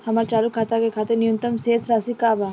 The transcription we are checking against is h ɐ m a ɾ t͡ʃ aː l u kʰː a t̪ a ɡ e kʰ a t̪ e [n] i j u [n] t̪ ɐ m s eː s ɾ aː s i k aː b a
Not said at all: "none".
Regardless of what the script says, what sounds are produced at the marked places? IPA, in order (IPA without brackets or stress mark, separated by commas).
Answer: n, n